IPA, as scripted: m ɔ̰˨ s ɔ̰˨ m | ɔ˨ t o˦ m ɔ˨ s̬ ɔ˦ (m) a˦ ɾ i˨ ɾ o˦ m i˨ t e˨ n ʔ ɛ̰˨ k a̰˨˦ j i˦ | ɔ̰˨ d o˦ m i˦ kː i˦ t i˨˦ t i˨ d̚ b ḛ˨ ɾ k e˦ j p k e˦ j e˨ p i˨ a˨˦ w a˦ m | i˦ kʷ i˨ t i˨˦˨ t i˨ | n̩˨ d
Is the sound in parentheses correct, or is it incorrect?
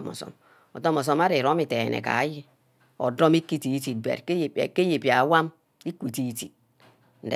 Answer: correct